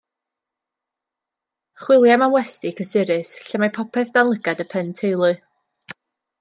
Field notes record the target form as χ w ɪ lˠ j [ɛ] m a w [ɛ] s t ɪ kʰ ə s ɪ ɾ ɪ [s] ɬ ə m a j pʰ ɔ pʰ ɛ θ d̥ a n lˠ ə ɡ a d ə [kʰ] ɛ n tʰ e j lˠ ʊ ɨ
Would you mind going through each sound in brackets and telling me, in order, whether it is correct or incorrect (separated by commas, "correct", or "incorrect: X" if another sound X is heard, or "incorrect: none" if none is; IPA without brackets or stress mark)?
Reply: incorrect: a, correct, correct, incorrect: pʰ